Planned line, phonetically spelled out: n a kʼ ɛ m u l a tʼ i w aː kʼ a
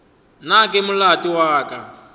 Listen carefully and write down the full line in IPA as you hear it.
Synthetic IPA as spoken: n a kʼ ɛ m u l a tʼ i w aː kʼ a